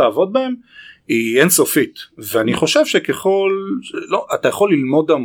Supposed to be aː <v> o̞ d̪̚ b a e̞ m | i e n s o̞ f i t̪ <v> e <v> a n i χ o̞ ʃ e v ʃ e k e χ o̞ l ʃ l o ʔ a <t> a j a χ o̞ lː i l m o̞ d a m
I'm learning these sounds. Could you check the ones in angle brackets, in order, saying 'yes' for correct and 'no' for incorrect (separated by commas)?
yes, yes, no, yes